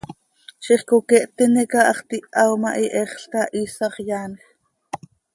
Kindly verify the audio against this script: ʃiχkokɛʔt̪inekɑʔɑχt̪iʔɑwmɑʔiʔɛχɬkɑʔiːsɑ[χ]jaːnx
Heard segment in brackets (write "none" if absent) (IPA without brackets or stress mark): χ